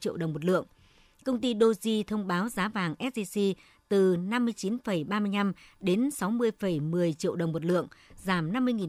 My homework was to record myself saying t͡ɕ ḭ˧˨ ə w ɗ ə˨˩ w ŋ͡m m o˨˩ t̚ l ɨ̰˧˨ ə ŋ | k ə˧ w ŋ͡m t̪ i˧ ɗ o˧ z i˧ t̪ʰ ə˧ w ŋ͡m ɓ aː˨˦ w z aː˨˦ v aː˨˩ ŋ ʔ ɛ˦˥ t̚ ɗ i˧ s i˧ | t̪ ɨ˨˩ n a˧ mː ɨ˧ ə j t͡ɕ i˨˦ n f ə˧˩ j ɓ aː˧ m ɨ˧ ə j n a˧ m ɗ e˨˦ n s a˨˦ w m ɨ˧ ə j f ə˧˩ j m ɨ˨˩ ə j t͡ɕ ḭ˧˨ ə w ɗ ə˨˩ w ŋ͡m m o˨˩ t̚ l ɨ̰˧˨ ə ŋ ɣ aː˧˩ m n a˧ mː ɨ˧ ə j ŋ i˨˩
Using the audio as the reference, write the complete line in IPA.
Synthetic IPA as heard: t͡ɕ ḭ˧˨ ə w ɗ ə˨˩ w ŋ͡m m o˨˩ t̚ l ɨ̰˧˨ ə ŋ | k ə˧ w ŋ͡m t̪ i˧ ɗ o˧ z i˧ t̪ʰ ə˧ w ŋ͡m ɓ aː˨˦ w z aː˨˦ v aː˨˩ ŋ ʔ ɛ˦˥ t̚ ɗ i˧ s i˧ | t̪ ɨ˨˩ n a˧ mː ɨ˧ ə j t͡ɕ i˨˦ n f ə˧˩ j ɓ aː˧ m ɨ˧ ə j n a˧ m ɗ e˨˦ n s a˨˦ w m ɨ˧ ə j f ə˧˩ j m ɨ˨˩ ə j t͡ɕ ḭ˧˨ ə w ɗ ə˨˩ w ŋ͡m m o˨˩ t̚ l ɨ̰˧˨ ə ŋ z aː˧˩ m n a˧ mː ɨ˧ ə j ŋ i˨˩